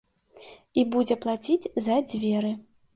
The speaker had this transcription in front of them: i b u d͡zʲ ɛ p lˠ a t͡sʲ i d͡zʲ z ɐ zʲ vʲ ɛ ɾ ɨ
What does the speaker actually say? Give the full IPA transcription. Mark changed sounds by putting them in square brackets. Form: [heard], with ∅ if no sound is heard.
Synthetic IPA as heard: i b u d͡zʲ ɛ p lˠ a t͡sʲ i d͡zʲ z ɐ [d͡zʲ] vʲ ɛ ɾ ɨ